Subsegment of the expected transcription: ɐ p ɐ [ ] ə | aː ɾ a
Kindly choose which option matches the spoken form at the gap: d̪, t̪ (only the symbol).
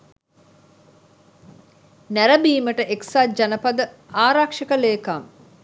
d̪